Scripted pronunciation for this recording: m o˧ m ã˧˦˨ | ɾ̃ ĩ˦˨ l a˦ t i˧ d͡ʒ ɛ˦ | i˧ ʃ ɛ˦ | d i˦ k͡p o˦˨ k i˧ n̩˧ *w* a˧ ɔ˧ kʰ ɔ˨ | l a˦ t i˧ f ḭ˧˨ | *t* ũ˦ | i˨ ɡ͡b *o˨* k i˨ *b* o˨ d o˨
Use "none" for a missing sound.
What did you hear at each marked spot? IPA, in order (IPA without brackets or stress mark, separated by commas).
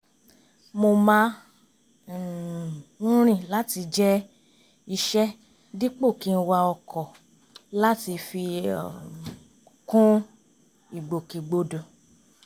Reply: w, k, o˨, ɡ͡b